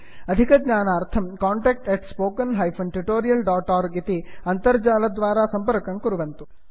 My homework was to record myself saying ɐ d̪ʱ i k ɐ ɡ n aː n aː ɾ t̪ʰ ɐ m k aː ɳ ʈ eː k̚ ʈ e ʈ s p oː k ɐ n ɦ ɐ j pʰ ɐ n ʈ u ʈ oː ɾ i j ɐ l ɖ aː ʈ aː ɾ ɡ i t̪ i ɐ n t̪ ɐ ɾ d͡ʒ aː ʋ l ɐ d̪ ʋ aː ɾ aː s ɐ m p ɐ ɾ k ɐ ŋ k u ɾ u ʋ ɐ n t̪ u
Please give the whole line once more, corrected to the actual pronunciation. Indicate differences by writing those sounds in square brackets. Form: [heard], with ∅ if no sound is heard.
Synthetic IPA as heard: ɐ d̪ʱ i k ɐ ɡ [ɲ] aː n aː ɾ t̪ʰ ɐ m k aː ɳ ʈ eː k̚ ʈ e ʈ s p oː k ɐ n ɦ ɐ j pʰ ɐ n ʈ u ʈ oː ɾ i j ɐ l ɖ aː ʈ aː ɾ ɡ i t̪ i ɐ n t̪ ɐ ɾ d͡ʒ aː [∅] l ɐ d̪ ʋ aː ɾ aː s ɐ m p ɐ ɾ k ɐ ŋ k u ɾ u ʋ ɐ n t̪ u